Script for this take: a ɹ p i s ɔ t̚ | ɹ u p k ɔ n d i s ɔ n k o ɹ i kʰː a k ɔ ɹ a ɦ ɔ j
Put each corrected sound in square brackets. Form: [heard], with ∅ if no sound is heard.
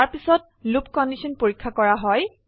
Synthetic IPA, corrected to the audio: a ɹ p i s ɔ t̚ | [l] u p k ɔ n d i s ɔ n [p] o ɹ i kʰː a k ɔ ɹ a ɦ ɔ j